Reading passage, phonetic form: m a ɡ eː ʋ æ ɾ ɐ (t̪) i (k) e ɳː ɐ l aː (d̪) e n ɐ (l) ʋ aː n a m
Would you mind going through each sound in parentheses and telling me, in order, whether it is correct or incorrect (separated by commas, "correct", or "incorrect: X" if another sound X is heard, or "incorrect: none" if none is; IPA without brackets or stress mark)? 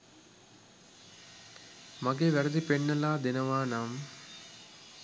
incorrect: d̪, incorrect: p, correct, incorrect: none